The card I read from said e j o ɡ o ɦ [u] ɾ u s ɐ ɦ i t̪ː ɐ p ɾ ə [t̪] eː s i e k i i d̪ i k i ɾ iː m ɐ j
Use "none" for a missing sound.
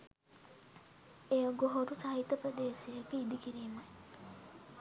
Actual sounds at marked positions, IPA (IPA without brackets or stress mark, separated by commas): o, d̪